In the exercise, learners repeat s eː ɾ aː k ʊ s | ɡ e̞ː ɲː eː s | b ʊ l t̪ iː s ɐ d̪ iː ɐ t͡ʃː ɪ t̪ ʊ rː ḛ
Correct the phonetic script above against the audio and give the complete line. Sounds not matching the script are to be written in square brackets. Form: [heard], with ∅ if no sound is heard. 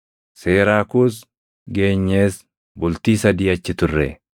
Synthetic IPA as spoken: s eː ɾ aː k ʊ s | ɡ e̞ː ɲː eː s | b ʊ l t̪ iː s ɐ d̪ iː ɐ t͡ʃː ɪ t̪ ʊ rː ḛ